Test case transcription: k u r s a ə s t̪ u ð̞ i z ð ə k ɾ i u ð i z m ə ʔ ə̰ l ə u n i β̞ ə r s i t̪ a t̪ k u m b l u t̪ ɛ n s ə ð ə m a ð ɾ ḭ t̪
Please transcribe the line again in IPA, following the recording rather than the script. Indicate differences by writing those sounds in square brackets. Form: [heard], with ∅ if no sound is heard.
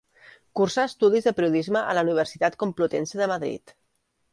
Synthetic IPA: k u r s a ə s t̪ u ð̞ i z ð ə [p] ɾ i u ð i z m ə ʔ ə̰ l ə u n i β̞ ə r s i t̪ a t̪ k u m [p] l u t̪ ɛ n s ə ð ə m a ð ɾ ḭ t̪